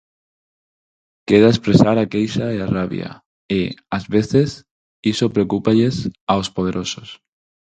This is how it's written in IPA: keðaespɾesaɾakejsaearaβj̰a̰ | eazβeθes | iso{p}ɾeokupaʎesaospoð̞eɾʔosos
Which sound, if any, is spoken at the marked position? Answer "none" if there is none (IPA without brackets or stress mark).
p